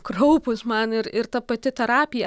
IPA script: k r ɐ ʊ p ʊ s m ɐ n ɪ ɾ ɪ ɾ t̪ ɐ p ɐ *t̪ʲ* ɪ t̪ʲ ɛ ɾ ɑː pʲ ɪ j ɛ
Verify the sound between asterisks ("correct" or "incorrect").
correct